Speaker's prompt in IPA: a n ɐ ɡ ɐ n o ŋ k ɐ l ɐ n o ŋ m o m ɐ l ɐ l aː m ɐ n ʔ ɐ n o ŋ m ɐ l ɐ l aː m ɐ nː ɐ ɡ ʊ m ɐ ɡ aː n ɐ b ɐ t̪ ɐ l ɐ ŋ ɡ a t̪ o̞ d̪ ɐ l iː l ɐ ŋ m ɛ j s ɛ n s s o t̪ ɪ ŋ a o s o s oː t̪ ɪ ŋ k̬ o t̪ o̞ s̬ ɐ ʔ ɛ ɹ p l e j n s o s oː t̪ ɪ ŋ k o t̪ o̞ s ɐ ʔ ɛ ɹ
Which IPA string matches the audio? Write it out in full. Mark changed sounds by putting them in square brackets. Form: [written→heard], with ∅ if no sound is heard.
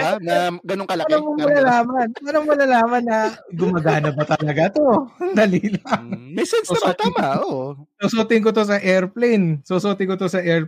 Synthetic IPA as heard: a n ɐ ɡ ɐ n o ŋ k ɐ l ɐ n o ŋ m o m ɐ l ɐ l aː m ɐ n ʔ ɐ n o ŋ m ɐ l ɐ l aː m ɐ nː ɐ ɡ ʊ m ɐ ɡ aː n ɐ b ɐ t̪ ɐ l ɐ [ŋ→∅] ɡ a t̪ o̞ d̪ ɐ l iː l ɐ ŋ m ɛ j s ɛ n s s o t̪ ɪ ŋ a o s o s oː t̪ ɪ ŋ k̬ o t̪ o̞ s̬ ɐ ʔ ɛ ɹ p l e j n s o s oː t̪ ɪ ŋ k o t̪ o̞ s ɐ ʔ ɛ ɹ